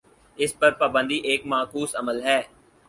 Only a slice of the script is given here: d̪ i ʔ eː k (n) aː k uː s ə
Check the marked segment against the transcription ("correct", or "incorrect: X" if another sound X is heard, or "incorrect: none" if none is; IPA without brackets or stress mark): incorrect: m